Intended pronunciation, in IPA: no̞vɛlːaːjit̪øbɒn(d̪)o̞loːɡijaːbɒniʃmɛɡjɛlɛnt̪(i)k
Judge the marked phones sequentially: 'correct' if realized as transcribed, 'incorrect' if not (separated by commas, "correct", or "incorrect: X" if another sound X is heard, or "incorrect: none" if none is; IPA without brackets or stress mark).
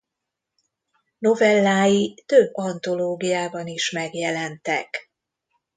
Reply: incorrect: t̪, incorrect: ɛ